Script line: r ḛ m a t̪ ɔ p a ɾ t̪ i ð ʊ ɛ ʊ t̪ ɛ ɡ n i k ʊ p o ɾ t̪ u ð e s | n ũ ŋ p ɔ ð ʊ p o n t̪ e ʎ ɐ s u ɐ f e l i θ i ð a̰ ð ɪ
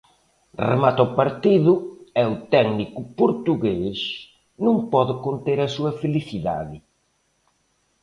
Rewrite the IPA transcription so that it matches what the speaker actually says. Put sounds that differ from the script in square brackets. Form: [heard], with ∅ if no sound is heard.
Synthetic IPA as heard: r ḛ m a t̪ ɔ p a ɾ t̪ i ð ʊ ɛ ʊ t̪ ɛ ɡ n i k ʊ p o ɾ t̪ u [ɣ] e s | n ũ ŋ p ɔ ð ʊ [k] o n t̪ e [ɾ] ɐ s u ɐ f e l i θ i ð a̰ ð ɪ